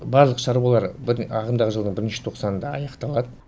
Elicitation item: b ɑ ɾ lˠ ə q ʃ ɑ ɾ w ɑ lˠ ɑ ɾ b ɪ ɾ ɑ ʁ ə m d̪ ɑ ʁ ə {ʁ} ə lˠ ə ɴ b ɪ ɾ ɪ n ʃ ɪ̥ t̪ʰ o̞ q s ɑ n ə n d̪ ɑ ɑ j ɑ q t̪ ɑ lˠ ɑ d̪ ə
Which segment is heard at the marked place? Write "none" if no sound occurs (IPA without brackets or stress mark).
ʒ